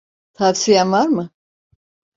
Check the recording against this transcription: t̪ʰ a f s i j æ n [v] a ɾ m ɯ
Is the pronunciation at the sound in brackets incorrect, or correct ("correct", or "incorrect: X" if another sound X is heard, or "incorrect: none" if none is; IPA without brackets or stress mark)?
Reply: correct